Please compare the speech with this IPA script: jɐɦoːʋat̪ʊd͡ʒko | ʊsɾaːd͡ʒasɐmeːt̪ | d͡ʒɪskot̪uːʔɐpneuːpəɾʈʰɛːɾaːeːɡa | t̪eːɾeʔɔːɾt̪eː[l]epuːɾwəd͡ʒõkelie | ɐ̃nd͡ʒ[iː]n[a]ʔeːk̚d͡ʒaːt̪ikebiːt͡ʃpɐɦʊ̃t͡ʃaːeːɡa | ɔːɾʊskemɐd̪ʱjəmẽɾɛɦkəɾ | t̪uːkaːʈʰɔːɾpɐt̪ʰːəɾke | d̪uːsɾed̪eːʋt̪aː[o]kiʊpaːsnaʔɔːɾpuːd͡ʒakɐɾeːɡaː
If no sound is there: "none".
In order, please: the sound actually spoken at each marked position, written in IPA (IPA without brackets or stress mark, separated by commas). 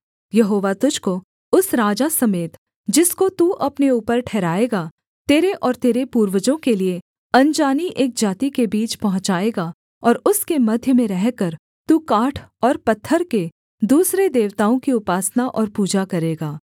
ɾ, aː, i, õ